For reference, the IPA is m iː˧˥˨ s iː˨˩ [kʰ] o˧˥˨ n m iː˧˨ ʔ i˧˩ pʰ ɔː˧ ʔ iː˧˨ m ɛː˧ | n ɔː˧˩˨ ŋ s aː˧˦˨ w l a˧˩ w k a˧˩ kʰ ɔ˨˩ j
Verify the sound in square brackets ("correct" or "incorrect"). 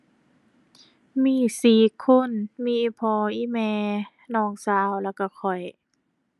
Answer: correct